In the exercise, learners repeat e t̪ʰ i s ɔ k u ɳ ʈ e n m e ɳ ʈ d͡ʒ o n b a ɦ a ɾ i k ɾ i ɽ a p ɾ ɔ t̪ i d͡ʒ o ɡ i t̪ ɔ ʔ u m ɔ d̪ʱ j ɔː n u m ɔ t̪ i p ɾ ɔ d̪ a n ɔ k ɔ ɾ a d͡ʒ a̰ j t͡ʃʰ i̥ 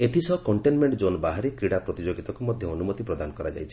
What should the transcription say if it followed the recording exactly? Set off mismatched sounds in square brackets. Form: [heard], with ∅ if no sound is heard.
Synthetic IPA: e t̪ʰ i s ɔ k [ɔ] ɳ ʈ e n m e ɳ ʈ d͡ʒ o n b a ɦ a ɾ i k ɾ i ɽ a p ɾ ɔ t̪ i d͡ʒ o ɡ i t̪ ɔ [k] u m ɔ d̪ʱ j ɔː n u m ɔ t̪ i p ɾ ɔ d̪ a n ɔ k ɔ ɾ a d͡ʒ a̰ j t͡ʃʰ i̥